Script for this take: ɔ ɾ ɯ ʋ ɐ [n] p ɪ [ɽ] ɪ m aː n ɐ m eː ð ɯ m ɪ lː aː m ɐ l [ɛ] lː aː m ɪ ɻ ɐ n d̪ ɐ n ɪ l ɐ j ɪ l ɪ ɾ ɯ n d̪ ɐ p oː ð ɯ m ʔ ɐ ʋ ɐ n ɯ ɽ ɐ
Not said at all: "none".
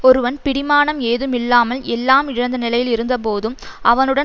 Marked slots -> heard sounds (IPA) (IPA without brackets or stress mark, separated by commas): n, ɽ, ɛ